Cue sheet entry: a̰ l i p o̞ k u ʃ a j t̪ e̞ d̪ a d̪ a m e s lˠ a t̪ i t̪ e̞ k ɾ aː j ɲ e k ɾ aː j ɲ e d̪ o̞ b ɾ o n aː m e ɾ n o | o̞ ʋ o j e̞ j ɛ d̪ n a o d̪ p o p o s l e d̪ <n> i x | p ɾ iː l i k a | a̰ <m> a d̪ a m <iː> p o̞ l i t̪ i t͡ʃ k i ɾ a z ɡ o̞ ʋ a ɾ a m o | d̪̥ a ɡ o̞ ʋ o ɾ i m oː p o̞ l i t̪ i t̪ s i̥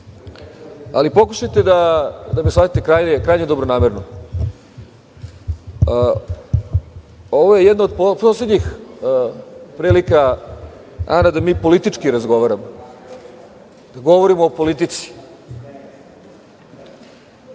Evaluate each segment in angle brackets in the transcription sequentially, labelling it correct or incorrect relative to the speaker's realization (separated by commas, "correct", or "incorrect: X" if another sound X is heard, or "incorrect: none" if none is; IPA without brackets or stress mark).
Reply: incorrect: ɲ, incorrect: n, correct